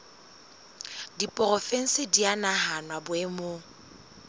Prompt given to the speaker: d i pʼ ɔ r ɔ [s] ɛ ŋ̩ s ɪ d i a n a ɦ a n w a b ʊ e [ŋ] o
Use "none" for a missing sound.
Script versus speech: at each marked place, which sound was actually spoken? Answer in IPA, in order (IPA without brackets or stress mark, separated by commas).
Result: f, m